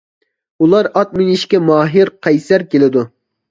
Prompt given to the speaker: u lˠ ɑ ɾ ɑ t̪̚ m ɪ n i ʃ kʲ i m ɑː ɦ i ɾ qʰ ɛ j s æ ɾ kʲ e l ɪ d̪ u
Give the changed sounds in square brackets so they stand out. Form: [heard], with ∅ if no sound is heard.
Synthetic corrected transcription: u lˠ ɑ ɾ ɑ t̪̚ m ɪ n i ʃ kʲ [ɛ] m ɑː ɦ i ɾ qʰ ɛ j s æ ɾ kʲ e l ɪ d̪ u